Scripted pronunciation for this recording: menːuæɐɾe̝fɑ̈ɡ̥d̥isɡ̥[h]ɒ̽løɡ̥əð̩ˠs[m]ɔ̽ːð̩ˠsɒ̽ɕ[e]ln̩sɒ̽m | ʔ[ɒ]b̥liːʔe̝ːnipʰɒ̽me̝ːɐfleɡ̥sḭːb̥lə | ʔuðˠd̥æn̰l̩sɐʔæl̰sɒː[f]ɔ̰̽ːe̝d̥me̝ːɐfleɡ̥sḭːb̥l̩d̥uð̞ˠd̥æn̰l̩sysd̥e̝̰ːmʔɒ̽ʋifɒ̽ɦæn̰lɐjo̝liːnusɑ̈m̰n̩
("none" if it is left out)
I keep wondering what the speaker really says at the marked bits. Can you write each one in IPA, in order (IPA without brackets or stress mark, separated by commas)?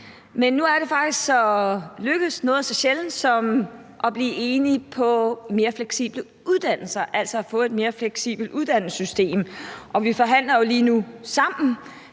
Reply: s, n, e, ɒ, f